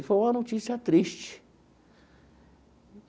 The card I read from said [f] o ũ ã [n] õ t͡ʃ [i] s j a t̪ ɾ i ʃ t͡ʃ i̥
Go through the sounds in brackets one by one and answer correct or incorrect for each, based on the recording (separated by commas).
correct, correct, correct